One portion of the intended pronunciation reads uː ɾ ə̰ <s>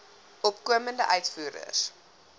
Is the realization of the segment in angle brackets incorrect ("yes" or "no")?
no